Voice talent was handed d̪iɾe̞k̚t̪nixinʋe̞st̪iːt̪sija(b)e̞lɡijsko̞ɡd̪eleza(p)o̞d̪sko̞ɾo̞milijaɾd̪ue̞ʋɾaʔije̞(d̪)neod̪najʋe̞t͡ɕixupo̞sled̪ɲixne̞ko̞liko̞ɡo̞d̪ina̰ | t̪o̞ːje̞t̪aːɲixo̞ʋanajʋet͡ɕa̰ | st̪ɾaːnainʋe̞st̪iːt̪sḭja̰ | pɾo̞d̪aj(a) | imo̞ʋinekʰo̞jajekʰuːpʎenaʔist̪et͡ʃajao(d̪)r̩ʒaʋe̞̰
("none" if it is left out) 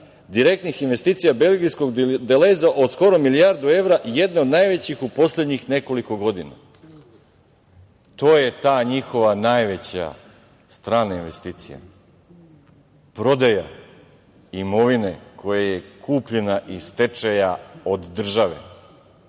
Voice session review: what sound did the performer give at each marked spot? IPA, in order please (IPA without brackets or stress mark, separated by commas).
b, ʔ, d̪, a, d̪ː